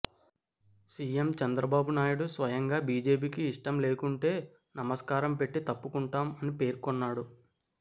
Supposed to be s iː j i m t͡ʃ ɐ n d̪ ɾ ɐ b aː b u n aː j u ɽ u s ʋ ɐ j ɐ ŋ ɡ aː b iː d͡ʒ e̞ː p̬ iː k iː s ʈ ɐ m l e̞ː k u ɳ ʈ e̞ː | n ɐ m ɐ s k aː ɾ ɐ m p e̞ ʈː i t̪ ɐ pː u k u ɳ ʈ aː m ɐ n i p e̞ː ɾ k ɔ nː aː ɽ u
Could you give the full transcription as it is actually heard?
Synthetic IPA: s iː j e m t͡ʃ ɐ n d̪ ɾ ɐ b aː b u n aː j u ɽ u s ʋ ɐ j ɐ ŋ ɡ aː b iː d͡ʒ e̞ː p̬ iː k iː ʂ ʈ ɐ m l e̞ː k u ɳ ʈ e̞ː | n ɐ m ɐ s k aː ɾ ɐ m p e̞ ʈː i t̪ ɐ pː u k u ɳ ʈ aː m ɐ n i p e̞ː ɾ k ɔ nː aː ɽ u